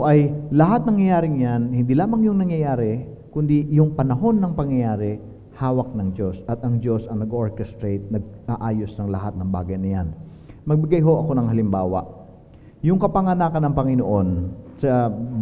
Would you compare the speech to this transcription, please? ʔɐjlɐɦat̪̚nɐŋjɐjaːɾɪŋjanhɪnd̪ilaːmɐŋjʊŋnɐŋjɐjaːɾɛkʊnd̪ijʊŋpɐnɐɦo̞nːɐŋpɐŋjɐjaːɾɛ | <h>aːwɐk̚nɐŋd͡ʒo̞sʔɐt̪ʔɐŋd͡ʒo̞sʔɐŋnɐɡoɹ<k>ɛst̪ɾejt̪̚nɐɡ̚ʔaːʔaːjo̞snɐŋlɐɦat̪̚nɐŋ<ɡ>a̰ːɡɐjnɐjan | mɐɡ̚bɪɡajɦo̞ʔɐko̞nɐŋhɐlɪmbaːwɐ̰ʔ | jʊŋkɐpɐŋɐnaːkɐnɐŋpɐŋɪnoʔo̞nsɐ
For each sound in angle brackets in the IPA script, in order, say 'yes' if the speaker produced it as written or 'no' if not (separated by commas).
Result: yes, yes, no